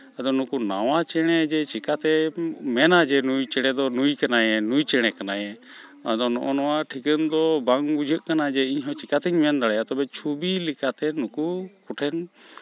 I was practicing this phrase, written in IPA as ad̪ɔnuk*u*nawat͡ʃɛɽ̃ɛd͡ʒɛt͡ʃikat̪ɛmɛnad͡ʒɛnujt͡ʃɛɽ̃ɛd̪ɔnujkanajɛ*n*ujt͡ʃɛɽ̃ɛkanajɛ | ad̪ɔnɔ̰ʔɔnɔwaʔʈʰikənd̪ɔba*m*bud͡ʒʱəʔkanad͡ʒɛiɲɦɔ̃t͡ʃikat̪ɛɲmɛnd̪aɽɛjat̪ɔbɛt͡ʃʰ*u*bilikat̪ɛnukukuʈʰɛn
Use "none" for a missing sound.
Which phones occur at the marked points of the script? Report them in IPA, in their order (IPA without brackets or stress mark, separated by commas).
u, n, ŋ, u